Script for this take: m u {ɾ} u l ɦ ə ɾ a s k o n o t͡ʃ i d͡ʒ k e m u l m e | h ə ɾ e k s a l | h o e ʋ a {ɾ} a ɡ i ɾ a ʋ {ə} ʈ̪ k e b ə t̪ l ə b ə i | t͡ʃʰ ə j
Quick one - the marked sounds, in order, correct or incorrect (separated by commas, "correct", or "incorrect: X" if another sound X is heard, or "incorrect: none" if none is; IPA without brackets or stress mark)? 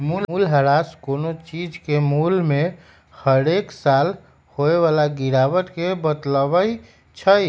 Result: incorrect: l, incorrect: l, correct